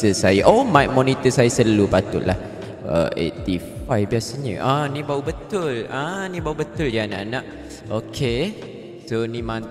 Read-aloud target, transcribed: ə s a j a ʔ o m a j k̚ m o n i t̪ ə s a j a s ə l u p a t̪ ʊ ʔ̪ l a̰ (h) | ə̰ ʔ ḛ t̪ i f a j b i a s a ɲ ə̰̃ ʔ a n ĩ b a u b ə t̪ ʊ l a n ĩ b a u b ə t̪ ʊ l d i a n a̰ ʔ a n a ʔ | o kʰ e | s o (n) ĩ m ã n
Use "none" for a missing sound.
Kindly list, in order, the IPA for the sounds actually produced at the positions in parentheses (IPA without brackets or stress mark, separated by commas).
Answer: h, n